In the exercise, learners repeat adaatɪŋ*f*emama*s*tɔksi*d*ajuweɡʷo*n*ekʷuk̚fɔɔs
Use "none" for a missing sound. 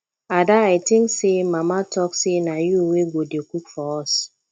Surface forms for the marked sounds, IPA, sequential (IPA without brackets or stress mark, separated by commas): s, none, n, d